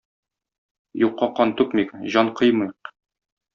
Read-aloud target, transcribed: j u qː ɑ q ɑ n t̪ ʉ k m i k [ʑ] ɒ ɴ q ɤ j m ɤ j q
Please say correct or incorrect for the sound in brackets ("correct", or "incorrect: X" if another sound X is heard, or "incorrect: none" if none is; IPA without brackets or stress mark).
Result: correct